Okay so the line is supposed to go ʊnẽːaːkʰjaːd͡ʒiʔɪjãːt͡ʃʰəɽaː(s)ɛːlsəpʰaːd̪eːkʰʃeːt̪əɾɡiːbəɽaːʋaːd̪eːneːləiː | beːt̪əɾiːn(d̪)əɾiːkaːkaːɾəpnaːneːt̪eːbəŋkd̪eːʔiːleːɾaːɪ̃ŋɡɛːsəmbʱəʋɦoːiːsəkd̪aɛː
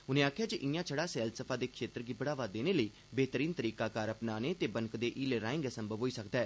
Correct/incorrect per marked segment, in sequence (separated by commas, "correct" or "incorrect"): correct, incorrect